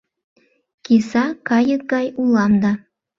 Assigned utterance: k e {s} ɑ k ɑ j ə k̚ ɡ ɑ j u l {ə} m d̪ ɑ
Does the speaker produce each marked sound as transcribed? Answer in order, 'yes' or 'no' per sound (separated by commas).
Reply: yes, no